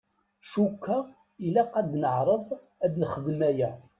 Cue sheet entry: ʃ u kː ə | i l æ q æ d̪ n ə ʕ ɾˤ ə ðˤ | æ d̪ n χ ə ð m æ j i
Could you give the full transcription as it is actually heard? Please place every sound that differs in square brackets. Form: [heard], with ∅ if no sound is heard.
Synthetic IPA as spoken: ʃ u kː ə | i l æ q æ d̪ n ə ʕ ɾˤ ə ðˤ | æ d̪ n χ ə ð m æ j [æ]